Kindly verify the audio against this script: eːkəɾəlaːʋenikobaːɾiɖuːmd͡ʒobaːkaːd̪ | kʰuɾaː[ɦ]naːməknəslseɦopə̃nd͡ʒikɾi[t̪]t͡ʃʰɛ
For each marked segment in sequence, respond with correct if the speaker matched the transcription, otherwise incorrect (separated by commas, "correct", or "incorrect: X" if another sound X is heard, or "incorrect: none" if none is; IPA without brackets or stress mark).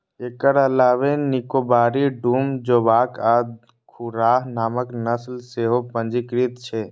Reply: correct, correct